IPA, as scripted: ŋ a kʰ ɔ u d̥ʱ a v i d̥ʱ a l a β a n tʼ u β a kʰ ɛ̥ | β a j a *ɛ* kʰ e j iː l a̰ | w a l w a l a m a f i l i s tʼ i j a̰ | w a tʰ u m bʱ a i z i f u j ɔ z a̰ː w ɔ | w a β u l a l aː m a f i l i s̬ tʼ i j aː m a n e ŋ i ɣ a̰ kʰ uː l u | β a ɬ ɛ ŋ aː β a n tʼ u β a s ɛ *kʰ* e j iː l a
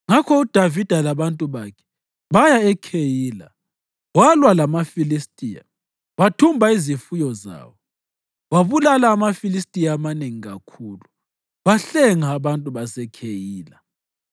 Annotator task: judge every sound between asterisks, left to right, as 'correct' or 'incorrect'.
correct, correct

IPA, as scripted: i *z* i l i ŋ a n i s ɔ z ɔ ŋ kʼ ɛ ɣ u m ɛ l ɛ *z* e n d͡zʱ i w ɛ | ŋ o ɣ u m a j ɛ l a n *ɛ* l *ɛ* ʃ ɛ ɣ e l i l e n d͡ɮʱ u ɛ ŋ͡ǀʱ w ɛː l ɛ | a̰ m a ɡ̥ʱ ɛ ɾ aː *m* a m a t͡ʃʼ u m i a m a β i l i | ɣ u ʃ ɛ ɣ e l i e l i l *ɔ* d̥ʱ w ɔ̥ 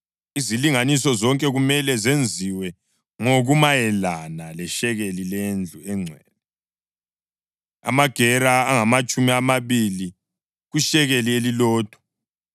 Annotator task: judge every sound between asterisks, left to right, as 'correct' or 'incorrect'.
correct, correct, incorrect: a, correct, incorrect: ŋ, incorrect: ɔː

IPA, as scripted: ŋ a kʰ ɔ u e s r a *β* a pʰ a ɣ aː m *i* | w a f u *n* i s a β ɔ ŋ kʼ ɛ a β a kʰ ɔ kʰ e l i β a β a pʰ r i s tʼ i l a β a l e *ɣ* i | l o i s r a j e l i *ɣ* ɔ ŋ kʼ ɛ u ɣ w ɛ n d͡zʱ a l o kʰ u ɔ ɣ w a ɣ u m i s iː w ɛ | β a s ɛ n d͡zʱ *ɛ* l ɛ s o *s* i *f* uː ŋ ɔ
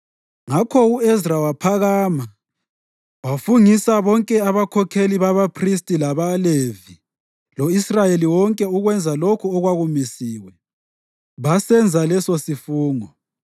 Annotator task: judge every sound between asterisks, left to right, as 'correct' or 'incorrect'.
incorrect: w, incorrect: a, incorrect: ŋ, incorrect: v, incorrect: w, incorrect: a, correct, correct

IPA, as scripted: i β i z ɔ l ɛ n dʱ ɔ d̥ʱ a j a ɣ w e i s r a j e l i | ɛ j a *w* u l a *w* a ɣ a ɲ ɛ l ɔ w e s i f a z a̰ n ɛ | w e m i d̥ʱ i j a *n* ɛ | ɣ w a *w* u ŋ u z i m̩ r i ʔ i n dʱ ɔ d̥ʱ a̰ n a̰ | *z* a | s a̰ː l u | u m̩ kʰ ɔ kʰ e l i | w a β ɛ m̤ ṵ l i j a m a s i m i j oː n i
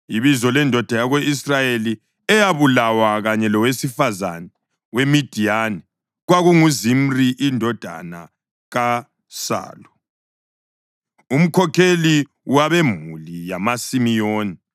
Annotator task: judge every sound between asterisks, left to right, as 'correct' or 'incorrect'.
incorrect: β, correct, correct, incorrect: ɣ, incorrect: ɣ

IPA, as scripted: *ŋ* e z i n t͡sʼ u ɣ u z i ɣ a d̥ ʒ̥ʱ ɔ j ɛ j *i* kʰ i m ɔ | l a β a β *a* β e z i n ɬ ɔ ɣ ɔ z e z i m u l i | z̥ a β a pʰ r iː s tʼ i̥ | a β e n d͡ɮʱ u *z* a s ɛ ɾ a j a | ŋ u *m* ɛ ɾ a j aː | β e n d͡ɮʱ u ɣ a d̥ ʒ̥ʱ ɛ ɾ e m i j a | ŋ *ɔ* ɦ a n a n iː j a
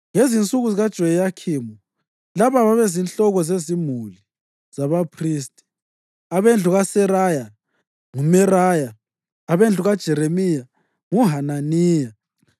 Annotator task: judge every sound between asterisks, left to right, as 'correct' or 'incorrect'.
correct, incorrect: a, correct, incorrect: ɣ, correct, incorrect: u

